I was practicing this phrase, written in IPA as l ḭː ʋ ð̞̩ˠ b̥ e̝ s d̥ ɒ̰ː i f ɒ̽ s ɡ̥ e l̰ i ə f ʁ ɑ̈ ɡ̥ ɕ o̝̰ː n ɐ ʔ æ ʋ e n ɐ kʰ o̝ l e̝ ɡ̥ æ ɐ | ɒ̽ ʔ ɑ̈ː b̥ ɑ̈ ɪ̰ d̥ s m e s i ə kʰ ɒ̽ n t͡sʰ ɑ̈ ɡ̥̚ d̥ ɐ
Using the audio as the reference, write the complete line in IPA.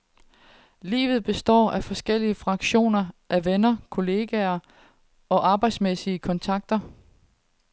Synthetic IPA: l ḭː ʋ ð̞̩ˠ b̥ e̝ s d̥ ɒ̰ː æ f ɒ̽ s ɡ̥ e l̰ i ə f ʁ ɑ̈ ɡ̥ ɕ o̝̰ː n ɐ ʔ æ ʋ e n ɐ kʰ o̝ l e̝ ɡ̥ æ ɐ | ɒ̽ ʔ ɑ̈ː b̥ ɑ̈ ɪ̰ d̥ s m e s i ə kʰ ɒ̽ n t͡sʰ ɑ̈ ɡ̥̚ d̥ ɐ

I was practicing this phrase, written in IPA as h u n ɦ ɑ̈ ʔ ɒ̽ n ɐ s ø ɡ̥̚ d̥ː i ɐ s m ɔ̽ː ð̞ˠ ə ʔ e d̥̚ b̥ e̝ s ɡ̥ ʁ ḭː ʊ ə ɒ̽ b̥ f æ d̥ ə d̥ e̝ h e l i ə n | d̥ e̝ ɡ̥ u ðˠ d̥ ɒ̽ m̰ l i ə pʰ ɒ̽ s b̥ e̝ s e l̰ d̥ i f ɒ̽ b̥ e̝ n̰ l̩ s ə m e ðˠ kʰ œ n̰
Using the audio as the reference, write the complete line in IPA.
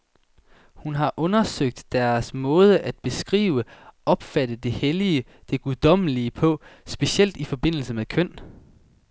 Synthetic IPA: h u n ɦ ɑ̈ ʔ ɔ̽ n ɐ s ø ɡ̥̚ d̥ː æ ɐ s m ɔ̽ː ð̞ˠ ə ʔ æ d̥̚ b̥ e̝ s ɡ̥ ʁ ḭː ʊ ə ɒ̽ b̥ f æ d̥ ə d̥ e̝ h e l i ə | d̥ e̝ ɡ̥ u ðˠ d̥ ɒ̽ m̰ l i ə pʰ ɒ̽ s b̥ e̝ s e l̰ d̥ i f ɒ̽ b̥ e̝ n̰ l̩ s ə m e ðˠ kʰ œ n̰

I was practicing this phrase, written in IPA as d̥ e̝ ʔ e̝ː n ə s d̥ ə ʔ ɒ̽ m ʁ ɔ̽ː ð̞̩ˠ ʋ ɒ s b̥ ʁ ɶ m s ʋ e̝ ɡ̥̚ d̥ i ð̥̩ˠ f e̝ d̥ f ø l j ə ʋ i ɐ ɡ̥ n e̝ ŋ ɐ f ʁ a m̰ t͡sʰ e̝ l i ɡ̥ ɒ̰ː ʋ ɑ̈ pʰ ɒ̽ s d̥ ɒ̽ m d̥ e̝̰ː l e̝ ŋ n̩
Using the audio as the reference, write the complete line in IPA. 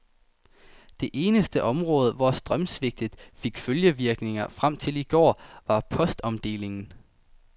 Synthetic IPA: d̥ e̝ ʔ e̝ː n ə s d̥ ə ʔ ɒ̽ m ʁ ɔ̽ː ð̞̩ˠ ʋ ɒ s d̥ ʁ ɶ m s ʋ e̝ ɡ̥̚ d̥ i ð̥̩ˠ f e̝ ɡ̥ f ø l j ə ʋ i ɐ ɡ̥ n e̝ ŋ ɐ f ʁ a m̰ t͡sʰ e̝ l i ɡ̥ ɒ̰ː ʋ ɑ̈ pʰ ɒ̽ s d̥ ɒ̽ m d̥ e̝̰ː l e̝ ŋ n̩

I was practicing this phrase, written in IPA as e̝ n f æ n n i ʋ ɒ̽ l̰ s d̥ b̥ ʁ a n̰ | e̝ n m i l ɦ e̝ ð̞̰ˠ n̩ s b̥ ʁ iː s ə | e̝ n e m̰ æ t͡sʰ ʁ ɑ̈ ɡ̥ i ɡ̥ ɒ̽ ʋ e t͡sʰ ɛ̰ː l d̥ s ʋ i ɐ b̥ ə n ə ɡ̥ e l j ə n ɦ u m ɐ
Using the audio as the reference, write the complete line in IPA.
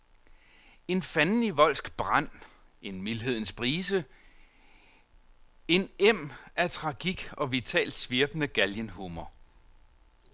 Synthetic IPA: e̝ n f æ n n i ʋ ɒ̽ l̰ s ɡ̥ b̥ ʁ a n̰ | e̝ n m i l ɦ e̝ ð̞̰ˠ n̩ s b̥ ʁ iː s ə | e̝ n e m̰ æ t͡sʰ ʁ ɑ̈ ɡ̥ i ɡ̥ ɒ̽ ʋ i t͡sʰ ɛ̰ː l d̥ s ʋ i ɐ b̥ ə n ə ɡ̥ æ l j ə n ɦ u m ɐ

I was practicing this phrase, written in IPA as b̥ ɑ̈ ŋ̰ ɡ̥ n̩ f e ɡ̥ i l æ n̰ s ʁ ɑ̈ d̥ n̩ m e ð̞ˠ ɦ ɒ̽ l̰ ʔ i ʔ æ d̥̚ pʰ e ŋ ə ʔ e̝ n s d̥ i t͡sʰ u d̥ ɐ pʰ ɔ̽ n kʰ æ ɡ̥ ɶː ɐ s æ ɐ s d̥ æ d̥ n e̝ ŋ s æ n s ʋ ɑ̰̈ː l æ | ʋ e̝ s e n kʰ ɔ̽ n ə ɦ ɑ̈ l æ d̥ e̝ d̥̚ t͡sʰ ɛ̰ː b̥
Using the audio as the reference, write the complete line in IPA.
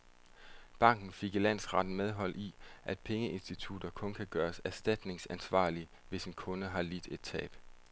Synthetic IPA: b̥ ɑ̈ ŋ̰ ɡ̥ n̩ f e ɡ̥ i l æ n̰ s ʁ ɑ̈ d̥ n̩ m e ð̞ˠ ɦ ɒ̽ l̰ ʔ i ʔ æ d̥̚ pʰ e ŋ ə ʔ e̝ n s d̥ i t͡sʰ u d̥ ɐ kʰ ɔ̽ n kʰ æ ɡ̥ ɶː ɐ s æ ɐ s d̥ æ d̥ n e̝ ŋ s æ n s ʋ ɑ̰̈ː l i | ʋ e̝ s e n kʰ ɔ̽ n ə ɦ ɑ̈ l i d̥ e̝ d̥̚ t͡sʰ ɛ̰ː b̥

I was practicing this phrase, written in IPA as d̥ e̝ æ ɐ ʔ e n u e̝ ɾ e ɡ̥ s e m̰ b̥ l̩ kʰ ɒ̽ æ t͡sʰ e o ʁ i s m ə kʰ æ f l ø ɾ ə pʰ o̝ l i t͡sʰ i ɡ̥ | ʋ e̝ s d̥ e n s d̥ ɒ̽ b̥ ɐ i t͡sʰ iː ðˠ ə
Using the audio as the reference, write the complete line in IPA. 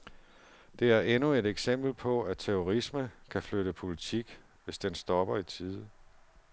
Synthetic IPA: d̥ e̝ æ ɐ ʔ e n u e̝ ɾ e ɡ̥ s e m̰ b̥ l̩ pʰ ɒ̽ æ t͡sʰ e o ʁ i s m ə kʰ æ f l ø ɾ ə pʰ o̝ l i t͡sʰ i ɡ̥ | ʋ e̝ s d̥ e n s d̥ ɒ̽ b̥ ɐ i t͡sʰ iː ðˠ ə

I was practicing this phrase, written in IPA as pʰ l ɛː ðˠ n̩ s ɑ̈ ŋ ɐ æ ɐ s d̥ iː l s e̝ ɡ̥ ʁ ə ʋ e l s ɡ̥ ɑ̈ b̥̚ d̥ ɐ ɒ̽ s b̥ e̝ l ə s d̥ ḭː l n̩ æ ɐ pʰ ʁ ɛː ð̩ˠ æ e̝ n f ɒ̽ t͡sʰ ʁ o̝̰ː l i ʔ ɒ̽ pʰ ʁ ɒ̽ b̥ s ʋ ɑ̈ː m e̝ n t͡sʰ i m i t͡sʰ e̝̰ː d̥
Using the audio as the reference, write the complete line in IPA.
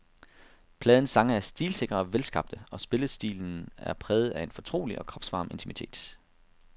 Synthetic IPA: pʰ l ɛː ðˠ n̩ s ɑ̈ ŋ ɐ æ ɐ s d̥ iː l s e̝ ɡ̥ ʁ ɐ ʋ e l s ɡ̥ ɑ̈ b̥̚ d̥ ə ɒ̽ s b̥ e̝ l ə s d̥ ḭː l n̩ æ ɐ pʰ ʁ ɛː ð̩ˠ æ e̝ n f ɒ̽ t͡sʰ ʁ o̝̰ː l i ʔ ɒ̽ kʰ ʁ ɒ̽ b̥ s ʋ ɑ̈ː m e̝ n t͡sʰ i m i t͡sʰ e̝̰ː d̥

